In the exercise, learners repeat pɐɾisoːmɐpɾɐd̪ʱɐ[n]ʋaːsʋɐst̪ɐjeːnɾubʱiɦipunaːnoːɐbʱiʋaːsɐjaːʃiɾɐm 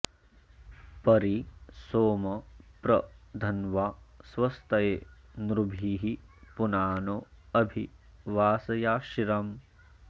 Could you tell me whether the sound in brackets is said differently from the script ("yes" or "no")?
no